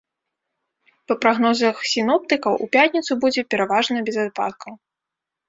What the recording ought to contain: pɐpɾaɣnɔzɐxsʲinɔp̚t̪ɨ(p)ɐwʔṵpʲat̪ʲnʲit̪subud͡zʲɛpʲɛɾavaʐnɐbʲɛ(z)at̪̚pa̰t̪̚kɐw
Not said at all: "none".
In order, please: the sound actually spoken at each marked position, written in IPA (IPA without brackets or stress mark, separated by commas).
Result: k, z